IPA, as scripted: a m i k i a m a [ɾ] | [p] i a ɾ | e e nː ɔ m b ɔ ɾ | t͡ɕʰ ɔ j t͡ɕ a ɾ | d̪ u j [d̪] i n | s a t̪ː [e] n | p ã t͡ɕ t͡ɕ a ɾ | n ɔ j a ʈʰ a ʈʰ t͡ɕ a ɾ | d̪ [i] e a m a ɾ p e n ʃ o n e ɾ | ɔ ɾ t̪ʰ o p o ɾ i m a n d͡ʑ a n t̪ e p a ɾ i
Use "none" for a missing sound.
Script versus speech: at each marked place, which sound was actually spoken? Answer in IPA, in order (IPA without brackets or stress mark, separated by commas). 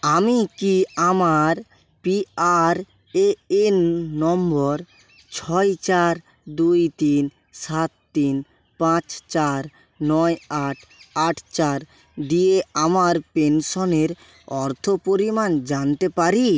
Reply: ɾ, p, t̪, i, i